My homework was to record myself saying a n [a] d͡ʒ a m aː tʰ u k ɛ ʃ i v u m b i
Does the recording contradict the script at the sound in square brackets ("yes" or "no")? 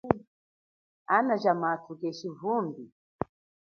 no